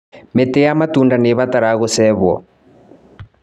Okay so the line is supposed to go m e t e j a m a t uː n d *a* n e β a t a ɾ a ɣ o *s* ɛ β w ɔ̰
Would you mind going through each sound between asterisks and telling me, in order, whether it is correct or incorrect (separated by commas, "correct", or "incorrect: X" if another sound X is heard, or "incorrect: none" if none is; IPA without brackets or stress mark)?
correct, correct